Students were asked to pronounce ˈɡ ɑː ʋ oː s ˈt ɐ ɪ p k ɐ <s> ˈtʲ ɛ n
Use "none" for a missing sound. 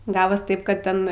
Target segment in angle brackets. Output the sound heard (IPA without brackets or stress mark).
t